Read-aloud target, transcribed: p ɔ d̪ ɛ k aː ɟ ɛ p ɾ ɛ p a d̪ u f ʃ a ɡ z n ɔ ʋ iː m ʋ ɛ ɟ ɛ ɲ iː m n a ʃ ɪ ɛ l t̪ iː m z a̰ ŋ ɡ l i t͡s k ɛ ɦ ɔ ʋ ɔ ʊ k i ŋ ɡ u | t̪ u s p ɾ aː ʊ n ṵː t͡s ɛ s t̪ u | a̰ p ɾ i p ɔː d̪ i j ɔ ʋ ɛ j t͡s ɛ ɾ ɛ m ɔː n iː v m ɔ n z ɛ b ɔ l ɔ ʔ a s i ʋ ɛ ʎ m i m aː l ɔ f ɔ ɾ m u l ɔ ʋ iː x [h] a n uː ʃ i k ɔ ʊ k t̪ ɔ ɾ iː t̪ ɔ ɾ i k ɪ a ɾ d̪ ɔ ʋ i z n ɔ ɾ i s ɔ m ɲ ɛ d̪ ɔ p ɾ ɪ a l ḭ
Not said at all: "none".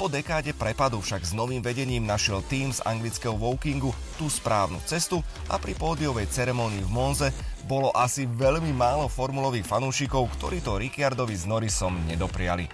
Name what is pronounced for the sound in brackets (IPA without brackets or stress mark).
f